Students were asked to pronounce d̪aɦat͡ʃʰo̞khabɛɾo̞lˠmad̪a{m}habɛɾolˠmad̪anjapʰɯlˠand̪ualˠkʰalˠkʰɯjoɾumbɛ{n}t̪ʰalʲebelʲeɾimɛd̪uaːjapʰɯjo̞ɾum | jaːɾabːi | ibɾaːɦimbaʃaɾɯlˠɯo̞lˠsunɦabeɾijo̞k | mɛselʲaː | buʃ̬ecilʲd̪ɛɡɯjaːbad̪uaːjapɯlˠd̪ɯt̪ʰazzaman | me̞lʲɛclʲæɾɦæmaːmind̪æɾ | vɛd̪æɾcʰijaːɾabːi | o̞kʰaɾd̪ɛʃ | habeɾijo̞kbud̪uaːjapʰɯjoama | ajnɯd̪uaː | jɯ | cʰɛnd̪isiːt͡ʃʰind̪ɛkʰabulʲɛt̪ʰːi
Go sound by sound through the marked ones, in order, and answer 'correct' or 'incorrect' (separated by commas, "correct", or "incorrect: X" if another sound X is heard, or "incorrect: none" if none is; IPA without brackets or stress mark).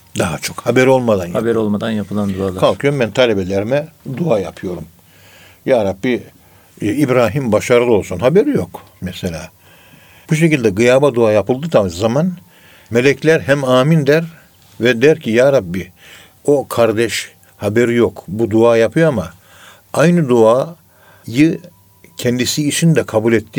incorrect: n, correct